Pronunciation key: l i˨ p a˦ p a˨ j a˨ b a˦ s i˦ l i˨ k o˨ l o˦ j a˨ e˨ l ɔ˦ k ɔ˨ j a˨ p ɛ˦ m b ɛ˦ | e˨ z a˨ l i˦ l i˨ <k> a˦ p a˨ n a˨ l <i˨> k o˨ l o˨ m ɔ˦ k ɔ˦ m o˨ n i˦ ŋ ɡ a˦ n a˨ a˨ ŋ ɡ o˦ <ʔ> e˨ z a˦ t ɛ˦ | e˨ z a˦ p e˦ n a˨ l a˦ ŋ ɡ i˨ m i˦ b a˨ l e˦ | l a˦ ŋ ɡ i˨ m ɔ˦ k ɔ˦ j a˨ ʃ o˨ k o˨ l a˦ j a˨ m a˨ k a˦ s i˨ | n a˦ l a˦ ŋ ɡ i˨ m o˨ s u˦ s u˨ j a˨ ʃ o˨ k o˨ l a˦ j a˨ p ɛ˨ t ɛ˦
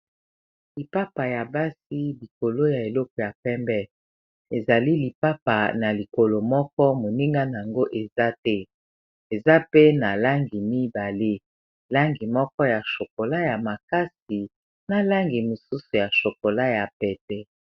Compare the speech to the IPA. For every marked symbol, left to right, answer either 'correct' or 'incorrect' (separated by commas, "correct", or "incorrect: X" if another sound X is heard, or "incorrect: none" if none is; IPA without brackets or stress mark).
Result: incorrect: p, correct, correct